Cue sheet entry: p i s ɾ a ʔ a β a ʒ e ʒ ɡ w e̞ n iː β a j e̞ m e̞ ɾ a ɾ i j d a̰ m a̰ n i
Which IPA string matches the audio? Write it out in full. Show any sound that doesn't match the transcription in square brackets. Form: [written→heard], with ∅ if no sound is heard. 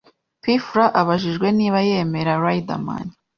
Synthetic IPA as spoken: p i [s→f] ɾ a ʔ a β a ʒ [e→i] ʒ ɡ w e̞ n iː β a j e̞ m e̞ ɾ a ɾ [i→a] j d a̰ m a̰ n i